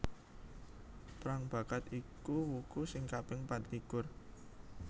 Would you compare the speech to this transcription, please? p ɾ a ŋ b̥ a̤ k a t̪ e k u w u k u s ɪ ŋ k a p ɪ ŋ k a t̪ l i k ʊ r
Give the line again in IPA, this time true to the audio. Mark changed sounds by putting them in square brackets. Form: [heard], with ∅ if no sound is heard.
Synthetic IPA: p ɾ a ŋ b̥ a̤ k a t̪ [i] k u w u k u s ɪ ŋ k a p ɪ ŋ [p] a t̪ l i k ʊ r